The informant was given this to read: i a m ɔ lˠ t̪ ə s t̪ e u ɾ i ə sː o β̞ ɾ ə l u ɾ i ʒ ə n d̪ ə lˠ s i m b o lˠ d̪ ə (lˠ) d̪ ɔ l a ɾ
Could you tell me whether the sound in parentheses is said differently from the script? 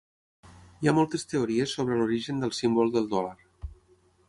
no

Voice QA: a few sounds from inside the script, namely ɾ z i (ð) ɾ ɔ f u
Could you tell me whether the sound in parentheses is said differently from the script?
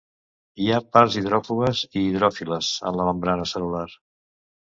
no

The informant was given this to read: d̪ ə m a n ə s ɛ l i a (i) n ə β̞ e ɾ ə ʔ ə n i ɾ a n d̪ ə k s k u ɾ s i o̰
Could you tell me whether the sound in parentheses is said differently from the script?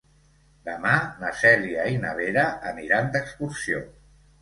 no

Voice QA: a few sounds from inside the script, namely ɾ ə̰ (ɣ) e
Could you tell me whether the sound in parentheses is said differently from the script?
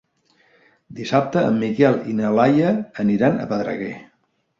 no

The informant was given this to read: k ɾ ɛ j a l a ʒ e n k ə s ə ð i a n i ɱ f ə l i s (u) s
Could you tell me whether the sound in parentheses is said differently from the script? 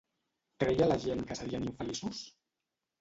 no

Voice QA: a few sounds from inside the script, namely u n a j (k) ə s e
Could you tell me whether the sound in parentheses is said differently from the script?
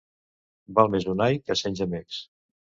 no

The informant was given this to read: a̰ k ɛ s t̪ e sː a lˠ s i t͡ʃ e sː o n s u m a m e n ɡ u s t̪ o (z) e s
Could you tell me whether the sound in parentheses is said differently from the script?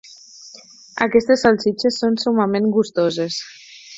no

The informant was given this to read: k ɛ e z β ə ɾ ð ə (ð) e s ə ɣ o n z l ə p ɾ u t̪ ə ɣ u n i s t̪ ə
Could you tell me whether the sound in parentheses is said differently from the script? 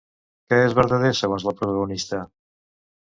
no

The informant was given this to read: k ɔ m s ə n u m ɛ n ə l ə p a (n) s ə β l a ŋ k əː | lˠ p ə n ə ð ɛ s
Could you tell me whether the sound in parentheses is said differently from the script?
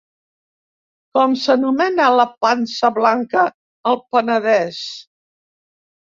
no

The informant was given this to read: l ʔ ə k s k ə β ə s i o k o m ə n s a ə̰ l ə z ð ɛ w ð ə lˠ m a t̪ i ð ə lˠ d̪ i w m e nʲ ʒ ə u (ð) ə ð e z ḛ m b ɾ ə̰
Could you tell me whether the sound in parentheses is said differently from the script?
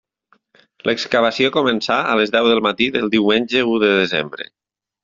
no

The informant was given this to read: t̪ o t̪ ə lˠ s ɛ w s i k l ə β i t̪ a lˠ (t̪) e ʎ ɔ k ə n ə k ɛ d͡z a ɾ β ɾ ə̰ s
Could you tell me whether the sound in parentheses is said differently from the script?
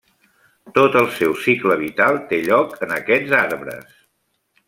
no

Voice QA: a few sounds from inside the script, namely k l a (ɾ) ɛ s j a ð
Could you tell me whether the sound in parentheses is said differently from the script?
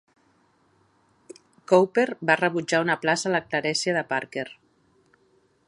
no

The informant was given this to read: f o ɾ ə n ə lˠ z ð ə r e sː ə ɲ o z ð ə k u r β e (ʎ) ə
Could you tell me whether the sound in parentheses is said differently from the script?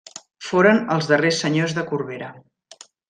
yes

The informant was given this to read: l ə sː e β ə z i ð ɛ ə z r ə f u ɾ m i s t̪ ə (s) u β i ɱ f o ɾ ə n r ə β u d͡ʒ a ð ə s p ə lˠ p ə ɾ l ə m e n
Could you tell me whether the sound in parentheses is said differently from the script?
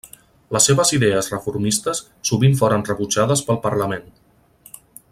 yes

